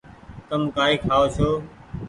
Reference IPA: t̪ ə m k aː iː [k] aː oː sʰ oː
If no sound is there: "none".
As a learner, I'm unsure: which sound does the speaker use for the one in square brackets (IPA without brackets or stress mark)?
kʰ